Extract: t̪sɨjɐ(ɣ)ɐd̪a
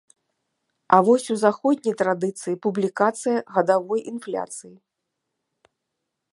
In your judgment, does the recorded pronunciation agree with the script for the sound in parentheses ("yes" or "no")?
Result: yes